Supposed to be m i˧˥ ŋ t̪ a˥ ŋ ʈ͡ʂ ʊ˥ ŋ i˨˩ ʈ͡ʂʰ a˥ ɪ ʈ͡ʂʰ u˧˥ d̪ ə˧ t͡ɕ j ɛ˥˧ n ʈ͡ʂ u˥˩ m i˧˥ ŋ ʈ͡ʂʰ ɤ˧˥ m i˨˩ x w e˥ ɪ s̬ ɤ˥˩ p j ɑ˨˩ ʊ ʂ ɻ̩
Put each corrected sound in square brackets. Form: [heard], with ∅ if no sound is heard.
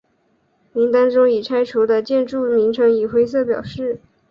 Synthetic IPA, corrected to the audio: m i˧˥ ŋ t̪ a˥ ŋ ʈ͡ʂ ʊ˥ ŋ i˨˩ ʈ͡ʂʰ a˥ ɪ ʈ͡ʂʰ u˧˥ d̪ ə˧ t͡ɕ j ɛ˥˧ n ʈ͡ʂ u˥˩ m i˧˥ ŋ ʈ͡ʂʰ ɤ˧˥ [ŋ] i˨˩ x w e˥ ɪ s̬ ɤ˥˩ p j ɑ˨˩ ʊ ʂ ɻ̩